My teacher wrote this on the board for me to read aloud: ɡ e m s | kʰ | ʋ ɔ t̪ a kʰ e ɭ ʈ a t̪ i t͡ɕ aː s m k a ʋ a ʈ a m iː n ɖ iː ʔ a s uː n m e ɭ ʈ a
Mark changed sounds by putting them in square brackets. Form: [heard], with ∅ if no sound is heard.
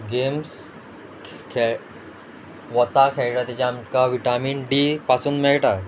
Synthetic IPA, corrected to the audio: ɡ e m s | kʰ | ʋ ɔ t̪ a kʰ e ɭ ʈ a t̪ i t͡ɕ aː [∅] m k a ʋ [i] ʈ a m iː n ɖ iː [p] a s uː n m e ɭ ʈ a